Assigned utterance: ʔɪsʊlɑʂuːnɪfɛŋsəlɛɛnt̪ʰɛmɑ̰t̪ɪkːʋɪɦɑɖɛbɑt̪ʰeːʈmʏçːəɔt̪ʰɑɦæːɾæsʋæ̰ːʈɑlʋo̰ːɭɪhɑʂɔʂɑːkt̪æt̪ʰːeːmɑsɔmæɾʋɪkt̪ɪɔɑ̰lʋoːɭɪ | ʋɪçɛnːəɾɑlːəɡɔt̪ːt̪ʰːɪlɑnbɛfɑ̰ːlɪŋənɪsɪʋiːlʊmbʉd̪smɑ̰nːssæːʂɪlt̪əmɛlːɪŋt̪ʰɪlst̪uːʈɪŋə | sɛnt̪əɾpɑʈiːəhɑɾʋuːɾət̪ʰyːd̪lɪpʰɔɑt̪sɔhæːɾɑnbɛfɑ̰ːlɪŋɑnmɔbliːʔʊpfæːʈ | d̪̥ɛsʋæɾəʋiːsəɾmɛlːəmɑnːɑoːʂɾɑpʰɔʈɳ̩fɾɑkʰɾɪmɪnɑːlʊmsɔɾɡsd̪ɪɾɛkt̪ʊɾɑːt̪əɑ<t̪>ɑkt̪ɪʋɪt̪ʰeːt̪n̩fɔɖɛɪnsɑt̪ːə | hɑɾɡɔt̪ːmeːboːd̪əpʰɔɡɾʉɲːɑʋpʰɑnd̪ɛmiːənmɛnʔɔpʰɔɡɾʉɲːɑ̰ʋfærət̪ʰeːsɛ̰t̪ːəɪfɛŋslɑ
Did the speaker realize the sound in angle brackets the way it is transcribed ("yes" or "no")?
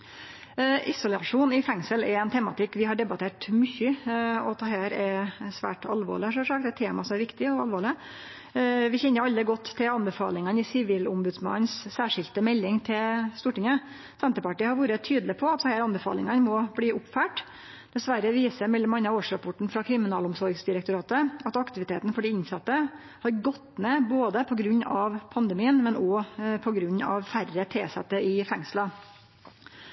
yes